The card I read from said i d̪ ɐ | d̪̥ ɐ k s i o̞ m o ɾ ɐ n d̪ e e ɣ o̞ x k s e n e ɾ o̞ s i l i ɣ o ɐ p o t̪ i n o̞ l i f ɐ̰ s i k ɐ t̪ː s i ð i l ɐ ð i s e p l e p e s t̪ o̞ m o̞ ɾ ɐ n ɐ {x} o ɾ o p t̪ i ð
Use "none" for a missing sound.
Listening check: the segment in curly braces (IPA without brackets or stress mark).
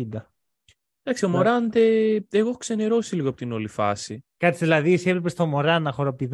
x